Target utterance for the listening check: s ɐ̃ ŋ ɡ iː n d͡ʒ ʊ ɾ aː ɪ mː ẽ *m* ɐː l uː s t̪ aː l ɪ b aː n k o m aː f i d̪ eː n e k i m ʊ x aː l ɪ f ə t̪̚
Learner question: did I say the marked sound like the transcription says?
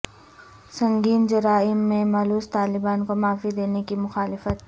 yes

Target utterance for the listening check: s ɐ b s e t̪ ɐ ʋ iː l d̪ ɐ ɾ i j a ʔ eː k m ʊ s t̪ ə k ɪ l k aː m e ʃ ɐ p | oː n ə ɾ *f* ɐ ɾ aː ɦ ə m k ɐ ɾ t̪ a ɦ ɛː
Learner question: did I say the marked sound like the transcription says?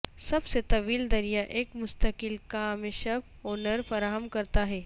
yes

